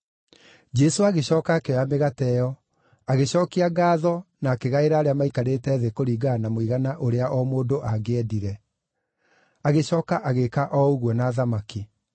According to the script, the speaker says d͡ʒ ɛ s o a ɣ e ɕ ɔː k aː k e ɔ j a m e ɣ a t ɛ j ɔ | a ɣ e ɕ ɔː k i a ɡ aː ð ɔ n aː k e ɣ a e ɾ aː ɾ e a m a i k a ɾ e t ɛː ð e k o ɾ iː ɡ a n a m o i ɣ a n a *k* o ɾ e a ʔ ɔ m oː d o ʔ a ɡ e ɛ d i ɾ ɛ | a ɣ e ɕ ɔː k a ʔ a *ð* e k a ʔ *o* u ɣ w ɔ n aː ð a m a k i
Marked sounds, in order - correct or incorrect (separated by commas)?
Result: incorrect, incorrect, incorrect